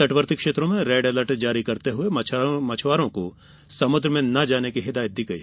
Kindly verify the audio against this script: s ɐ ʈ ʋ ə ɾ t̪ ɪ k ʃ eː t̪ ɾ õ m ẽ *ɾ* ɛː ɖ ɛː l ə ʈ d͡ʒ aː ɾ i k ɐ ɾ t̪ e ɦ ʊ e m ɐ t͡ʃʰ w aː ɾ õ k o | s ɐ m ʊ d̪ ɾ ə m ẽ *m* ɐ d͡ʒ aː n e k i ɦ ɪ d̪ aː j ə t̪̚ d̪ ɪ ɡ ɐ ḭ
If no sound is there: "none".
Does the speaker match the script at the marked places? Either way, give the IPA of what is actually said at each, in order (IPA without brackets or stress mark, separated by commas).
ɾ, n